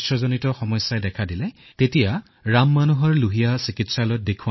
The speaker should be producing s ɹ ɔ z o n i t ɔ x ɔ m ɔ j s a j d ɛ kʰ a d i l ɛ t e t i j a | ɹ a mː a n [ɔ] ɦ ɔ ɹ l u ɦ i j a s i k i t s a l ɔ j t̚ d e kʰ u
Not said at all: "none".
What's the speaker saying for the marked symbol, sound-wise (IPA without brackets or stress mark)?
u